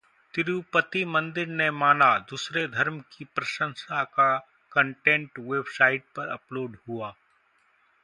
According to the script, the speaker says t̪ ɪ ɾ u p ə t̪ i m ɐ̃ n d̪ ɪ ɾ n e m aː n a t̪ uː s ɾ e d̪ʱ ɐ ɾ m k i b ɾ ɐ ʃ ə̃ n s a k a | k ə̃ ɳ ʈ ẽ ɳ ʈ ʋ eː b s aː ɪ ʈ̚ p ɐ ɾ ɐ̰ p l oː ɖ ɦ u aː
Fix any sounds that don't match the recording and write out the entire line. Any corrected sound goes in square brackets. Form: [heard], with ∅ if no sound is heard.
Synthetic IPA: t̪ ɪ ɾ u p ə t̪ i m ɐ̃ n d̪ ɪ ɾ n e m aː n a [d̪] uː s ɾ e d̪ʱ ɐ ɾ m k i [p] ɾ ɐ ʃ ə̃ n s a k a | k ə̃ ɳ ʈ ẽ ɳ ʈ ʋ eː b s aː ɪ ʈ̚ p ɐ ɾ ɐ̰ p l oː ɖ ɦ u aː

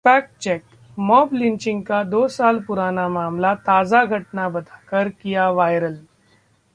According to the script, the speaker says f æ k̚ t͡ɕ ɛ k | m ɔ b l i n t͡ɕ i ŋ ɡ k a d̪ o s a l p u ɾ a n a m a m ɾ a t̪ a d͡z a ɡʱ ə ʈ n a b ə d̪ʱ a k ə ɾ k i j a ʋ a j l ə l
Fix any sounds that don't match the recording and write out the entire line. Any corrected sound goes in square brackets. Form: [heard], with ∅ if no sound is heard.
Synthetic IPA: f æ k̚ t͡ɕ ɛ k | m ɔ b l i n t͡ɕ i ŋ ɡ k a d̪ o s a l p u ɾ a n a m a m [l] a t̪ a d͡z a ɡʱ ə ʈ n a b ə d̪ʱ a k ə ɾ k i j a ʋ a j [ɾ] ə l

